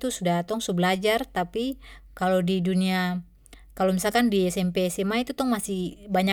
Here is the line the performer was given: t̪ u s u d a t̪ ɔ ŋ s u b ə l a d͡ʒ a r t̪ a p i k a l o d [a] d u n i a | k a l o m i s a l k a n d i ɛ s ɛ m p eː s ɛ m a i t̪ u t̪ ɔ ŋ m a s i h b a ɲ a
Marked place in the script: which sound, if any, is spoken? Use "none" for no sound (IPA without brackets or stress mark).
i